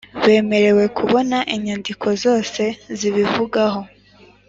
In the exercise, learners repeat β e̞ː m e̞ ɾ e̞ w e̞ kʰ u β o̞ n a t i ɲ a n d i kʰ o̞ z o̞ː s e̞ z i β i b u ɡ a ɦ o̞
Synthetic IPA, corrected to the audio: β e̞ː m e̞ ɾ e̞ w e̞ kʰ u β o̞ n a ʔ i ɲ a n d i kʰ o̞ z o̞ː s e̞ z i β i v u ɡ a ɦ o̞